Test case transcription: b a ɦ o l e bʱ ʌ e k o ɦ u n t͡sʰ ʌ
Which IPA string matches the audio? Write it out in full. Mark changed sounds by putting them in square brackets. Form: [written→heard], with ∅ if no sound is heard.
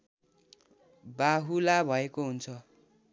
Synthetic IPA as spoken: b a ɦ [o→u] l [e→a] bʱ ʌ e k o ɦ u n t͡sʰ ʌ

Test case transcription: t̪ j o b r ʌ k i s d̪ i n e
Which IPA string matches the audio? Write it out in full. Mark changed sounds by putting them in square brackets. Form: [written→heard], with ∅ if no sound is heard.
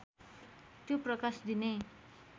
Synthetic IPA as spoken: t̪ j o [b→p] r ʌ k [i→a] s d̪ i n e

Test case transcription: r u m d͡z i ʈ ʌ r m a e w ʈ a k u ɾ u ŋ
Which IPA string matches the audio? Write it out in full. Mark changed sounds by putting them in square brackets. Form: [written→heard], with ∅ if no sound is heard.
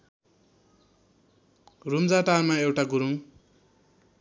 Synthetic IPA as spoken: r u m d͡z [i→a] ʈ [ʌ→a] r m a e w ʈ a [k→ɡ] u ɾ u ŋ

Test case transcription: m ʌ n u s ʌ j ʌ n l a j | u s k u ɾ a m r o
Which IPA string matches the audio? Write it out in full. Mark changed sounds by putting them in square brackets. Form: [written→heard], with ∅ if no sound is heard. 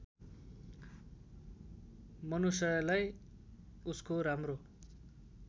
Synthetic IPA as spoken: m ʌ n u s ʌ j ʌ [n→∅] l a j | u s k [u→o] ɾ a m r o

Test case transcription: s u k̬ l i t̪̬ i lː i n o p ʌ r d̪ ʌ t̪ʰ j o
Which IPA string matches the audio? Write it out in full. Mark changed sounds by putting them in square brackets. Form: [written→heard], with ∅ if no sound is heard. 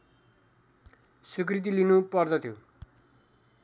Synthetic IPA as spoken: s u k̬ [l→r] i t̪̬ i [lː→l] i n [o→u] p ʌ r d̪ ʌ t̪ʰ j o

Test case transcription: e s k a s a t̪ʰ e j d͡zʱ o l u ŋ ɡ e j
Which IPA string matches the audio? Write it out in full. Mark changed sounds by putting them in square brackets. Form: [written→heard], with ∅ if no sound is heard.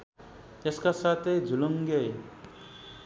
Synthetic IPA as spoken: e s k a s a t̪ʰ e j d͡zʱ [o→u] l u ŋ ɡ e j

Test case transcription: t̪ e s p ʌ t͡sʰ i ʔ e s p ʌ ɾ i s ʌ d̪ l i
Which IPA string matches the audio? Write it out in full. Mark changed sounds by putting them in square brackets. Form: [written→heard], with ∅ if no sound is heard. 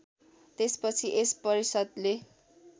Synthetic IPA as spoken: t̪ e s p ʌ t͡sʰ i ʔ e s p ʌ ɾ i s ʌ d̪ l [i→e]

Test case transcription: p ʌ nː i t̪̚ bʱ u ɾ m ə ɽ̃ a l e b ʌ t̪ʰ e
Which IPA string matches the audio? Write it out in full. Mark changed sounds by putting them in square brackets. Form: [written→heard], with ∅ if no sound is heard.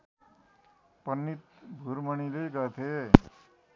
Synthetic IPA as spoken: p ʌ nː i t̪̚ bʱ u ɾ m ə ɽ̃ [a→i] l e [b→ɡ] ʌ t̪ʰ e

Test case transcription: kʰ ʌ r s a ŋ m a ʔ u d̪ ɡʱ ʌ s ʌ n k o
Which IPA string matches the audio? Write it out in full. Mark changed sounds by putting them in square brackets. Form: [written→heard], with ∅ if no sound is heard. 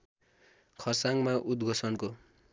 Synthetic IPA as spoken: kʰ ʌ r s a ŋ m a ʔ u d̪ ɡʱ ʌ s ʌ n k o

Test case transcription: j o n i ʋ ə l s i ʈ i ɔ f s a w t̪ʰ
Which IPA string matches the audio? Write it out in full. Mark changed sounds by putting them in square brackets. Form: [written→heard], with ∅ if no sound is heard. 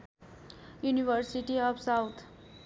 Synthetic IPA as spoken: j [o→u] n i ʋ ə [l→ɾ] s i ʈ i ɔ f s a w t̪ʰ

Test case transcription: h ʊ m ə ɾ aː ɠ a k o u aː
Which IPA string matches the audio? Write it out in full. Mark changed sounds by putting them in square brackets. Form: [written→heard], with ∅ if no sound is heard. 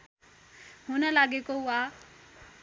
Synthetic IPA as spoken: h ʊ [m→n] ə [ɾ→l] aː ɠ [a→e] k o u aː

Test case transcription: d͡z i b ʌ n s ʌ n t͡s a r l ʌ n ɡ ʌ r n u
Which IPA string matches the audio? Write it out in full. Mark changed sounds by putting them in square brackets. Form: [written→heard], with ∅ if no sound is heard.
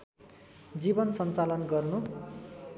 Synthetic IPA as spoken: d͡z i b ʌ n s ʌ n t͡s a [r→∅] l ʌ n ɡ ʌ r n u

